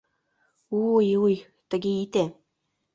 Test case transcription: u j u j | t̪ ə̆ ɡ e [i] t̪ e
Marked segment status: correct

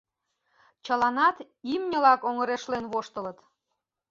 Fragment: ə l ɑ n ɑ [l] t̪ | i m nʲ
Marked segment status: incorrect: none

